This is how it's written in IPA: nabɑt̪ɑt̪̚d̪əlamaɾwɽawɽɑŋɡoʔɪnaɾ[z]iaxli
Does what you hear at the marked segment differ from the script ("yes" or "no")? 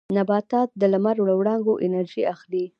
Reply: yes